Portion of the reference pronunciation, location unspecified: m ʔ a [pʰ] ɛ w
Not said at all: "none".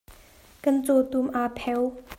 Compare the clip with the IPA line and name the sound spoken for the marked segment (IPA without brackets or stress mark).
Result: pʰ